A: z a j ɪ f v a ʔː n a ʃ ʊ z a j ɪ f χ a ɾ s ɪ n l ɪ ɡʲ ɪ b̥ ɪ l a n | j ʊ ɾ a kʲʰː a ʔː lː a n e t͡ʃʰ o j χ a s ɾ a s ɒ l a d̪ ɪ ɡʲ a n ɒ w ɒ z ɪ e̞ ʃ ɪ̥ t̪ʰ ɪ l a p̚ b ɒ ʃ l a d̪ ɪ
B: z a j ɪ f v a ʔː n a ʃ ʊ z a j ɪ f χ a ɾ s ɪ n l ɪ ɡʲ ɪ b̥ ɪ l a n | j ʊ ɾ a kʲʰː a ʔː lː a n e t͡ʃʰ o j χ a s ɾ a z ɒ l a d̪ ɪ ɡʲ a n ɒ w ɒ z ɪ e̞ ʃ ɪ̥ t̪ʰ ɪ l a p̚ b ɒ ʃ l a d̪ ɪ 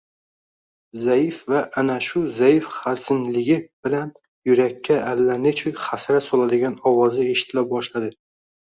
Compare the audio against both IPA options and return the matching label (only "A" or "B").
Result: A